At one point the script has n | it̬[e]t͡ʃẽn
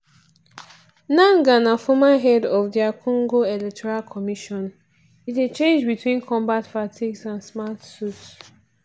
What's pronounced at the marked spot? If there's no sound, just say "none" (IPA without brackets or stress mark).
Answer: e